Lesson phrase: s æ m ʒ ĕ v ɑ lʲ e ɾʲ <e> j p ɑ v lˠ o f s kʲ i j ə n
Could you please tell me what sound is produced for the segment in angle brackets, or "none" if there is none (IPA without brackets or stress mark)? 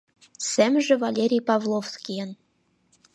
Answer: i